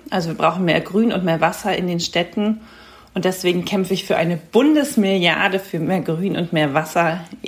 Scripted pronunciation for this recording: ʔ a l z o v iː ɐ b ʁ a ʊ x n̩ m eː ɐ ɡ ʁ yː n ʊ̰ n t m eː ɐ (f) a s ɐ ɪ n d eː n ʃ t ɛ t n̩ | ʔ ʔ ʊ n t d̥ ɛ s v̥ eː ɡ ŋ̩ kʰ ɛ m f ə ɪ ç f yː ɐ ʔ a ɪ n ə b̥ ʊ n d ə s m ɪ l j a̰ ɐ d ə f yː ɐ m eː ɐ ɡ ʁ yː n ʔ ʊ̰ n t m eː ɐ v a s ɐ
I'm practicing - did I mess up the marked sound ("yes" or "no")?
yes